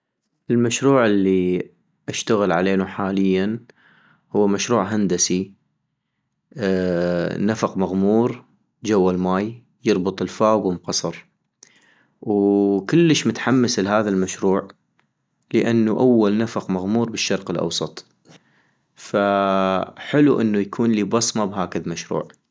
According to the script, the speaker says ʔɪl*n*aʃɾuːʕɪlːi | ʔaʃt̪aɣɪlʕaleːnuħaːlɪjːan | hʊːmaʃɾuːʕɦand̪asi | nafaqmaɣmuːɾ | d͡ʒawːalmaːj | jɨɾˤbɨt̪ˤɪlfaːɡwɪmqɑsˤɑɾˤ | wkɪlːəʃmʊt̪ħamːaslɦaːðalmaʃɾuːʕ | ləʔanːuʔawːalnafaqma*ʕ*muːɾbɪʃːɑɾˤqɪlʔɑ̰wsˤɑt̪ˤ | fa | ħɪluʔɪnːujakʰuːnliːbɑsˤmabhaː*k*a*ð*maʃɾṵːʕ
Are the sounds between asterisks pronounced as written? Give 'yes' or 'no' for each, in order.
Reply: no, no, yes, yes

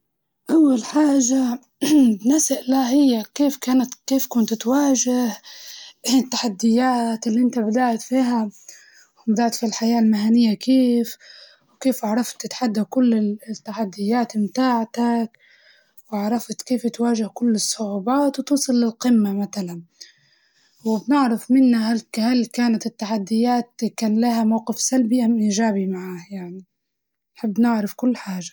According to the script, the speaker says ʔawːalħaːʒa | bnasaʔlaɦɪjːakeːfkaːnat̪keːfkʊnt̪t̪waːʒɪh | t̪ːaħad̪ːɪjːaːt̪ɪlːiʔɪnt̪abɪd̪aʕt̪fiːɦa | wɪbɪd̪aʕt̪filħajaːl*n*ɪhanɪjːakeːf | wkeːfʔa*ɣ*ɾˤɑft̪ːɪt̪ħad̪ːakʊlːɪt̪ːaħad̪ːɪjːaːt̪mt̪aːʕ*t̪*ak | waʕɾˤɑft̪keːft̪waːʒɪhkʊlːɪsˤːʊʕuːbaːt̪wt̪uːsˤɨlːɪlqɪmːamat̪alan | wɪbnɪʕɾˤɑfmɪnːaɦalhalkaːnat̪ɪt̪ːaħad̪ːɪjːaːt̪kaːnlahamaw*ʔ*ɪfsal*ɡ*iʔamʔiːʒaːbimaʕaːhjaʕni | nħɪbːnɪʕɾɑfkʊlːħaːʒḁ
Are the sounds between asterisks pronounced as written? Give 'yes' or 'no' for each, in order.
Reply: no, no, yes, no, no

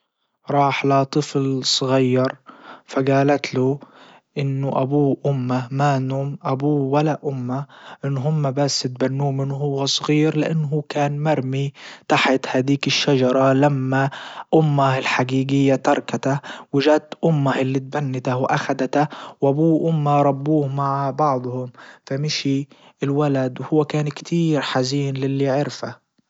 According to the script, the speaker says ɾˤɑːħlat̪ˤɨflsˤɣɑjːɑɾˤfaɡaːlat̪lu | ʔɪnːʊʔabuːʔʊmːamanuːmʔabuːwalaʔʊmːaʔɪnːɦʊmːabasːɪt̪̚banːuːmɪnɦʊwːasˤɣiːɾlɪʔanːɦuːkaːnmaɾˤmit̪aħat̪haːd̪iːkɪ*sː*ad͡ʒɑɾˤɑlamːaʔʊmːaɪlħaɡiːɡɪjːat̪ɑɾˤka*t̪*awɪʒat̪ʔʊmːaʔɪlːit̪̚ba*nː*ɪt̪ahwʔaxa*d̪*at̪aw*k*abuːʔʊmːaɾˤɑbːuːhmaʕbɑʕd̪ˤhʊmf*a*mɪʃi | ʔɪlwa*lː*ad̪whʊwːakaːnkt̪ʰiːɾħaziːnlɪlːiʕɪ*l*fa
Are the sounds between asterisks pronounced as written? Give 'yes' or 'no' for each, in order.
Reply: no, yes, yes, yes, no, yes, no, no

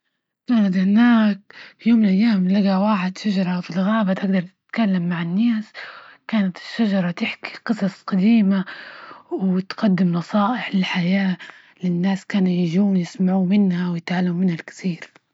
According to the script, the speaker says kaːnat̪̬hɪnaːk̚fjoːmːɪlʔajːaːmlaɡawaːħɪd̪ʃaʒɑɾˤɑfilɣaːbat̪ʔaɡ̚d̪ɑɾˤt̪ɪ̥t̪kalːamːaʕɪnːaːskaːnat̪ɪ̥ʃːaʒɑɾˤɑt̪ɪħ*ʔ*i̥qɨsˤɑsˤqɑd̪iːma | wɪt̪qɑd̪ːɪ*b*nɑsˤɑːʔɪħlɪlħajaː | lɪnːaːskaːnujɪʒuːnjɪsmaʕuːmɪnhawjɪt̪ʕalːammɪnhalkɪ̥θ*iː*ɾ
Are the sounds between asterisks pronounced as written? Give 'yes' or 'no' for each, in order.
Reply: no, no, yes

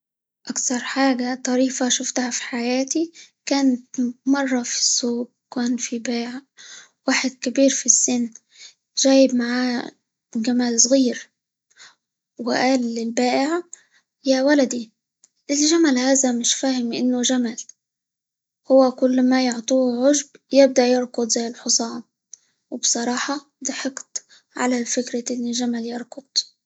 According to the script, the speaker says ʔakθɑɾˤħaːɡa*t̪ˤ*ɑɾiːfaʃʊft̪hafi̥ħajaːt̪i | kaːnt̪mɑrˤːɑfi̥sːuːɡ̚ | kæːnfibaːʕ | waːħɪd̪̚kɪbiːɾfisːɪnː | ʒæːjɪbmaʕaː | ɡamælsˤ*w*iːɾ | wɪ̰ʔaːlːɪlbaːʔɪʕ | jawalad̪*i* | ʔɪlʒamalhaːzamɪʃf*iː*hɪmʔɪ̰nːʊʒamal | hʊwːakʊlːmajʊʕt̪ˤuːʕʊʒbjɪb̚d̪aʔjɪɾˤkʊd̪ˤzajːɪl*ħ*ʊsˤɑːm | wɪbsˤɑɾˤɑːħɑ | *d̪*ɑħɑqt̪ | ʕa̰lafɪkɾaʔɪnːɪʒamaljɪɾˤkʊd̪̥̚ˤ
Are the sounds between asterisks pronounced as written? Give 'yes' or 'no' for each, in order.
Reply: yes, no, yes, no, yes, yes

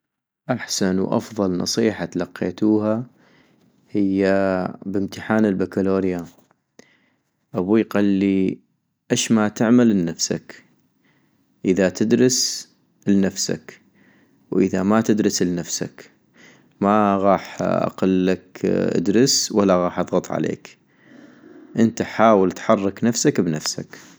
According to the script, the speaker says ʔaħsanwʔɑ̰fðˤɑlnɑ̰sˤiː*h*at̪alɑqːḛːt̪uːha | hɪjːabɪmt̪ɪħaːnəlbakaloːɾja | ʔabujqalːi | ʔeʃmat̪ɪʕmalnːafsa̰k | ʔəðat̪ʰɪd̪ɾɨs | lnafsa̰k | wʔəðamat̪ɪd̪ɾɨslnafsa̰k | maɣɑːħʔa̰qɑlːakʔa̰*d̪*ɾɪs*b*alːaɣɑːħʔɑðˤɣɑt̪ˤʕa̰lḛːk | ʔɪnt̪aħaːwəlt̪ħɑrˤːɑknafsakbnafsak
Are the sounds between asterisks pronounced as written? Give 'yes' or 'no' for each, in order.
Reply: no, yes, no

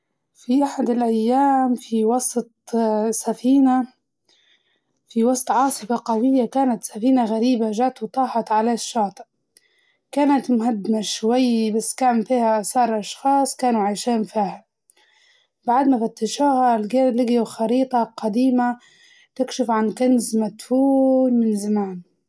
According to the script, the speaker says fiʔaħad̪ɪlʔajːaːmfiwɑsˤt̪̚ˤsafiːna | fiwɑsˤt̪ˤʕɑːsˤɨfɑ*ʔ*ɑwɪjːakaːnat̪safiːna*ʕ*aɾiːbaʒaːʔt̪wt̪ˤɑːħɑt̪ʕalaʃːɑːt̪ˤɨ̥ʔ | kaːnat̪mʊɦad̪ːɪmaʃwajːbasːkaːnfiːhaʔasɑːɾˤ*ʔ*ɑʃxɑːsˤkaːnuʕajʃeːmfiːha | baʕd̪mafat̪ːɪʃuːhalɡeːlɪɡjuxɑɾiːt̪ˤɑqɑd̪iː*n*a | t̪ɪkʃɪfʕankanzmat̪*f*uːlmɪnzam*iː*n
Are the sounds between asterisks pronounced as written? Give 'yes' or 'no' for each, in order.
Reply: no, no, yes, no, yes, no

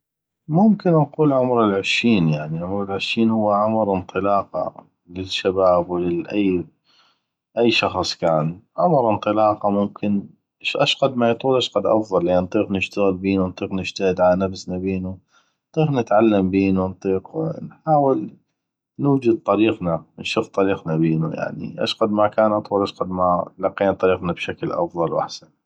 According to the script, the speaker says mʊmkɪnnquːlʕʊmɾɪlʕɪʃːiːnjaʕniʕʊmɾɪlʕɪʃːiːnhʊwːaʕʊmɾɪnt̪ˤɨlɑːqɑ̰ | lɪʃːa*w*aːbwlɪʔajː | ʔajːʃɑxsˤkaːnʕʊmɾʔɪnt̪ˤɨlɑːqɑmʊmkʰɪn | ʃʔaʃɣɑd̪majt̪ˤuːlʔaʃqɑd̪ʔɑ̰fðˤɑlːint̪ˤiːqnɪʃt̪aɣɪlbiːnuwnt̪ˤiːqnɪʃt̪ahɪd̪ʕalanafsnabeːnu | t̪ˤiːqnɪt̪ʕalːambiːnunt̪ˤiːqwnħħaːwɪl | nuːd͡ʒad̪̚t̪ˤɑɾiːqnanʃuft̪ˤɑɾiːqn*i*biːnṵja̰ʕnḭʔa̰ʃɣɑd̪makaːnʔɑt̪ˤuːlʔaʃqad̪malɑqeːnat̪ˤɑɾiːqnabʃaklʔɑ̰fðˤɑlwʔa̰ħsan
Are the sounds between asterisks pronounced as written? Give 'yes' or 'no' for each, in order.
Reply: no, no

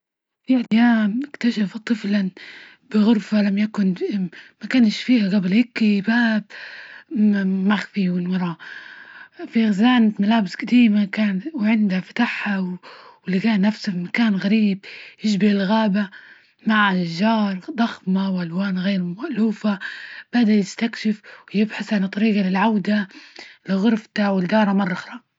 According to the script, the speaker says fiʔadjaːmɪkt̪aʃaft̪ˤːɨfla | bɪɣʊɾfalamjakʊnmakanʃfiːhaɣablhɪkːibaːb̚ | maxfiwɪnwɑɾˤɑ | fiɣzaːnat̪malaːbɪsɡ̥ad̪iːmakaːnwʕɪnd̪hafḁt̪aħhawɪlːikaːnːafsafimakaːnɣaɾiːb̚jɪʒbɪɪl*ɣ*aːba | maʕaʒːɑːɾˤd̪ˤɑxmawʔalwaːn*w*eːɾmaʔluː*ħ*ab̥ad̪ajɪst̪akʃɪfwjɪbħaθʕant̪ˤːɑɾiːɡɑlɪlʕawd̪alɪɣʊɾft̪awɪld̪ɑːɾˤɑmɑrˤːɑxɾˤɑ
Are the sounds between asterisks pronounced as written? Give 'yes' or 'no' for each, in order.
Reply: yes, no, no

